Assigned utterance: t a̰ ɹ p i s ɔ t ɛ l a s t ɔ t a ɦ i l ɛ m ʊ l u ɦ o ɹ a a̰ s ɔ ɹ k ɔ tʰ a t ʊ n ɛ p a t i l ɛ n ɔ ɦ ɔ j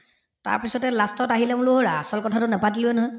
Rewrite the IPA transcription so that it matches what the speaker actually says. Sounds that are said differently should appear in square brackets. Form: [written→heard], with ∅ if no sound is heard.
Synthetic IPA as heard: t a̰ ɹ p i s ɔ t ɛ l a s t ɔ t a ɦ i l ɛ m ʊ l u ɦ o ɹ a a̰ s ɔ [ɹ→l] k ɔ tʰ a t ʊ n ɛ p a t i l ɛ n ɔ ɦ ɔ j

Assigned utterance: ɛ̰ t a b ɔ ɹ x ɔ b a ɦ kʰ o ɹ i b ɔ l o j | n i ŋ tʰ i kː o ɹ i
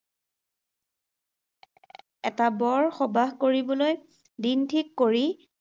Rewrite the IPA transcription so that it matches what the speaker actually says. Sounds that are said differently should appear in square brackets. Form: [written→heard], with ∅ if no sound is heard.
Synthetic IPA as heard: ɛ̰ t a b ɔ ɹ x ɔ b a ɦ [kʰ→k] o ɹ i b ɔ l o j | [n→d] i [ŋ→n] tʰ i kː o ɹ i

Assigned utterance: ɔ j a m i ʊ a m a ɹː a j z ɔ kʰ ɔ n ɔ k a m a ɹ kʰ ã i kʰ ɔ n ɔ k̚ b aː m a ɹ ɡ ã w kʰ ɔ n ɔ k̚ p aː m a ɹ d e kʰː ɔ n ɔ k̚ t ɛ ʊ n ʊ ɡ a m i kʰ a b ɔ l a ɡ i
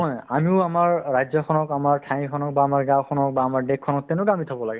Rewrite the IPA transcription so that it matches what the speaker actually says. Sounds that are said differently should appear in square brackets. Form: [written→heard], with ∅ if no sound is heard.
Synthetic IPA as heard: ɔ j a m i ʊ a m a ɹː a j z ɔ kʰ ɔ n ɔ k a m a ɹ [kʰ→tʰ] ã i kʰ ɔ n ɔ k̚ b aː m a ɹ ɡ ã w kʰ ɔ n ɔ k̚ [p→b] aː m a ɹ d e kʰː ɔ n ɔ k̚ t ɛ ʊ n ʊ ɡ a m i [kʰ→tʰ] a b ɔ l a ɡ [i→ɛ]

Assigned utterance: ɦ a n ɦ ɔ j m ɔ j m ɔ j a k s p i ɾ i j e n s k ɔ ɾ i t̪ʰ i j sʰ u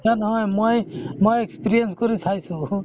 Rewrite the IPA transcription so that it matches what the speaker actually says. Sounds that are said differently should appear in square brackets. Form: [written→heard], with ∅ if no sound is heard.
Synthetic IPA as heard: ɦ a n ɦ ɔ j m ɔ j m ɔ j [a→e] k s p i ɾ i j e n s k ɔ ɾ i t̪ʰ [i→a] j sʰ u

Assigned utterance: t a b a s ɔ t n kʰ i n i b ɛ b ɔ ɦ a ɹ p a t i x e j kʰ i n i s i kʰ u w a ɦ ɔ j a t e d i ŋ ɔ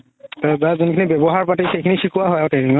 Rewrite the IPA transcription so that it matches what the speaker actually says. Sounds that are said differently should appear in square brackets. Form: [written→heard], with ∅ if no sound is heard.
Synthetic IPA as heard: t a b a [s→z] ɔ [t→∅] n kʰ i n i b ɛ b ɔ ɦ a ɹ p a t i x e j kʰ i n i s i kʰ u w a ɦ ɔ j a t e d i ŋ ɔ

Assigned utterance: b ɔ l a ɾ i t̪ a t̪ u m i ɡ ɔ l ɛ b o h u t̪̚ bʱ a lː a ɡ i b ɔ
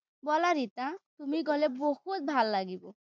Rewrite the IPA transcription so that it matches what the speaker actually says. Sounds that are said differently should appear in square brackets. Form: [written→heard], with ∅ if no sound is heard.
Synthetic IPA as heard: b ɔ l a ɾ i t̪ a t̪ u m i ɡ ɔ l [ɛ→e] b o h u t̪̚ bʱ a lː a ɡ i b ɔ

